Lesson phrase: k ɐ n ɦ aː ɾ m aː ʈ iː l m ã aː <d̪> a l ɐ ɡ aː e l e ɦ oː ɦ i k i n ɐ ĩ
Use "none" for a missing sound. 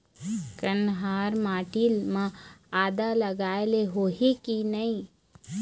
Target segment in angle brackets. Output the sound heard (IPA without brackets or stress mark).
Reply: d̪